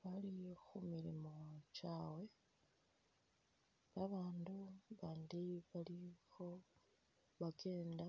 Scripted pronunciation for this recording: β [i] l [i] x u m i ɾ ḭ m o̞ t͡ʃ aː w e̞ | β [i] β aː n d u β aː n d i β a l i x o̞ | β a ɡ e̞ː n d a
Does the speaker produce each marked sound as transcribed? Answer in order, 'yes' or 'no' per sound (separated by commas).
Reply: no, yes, no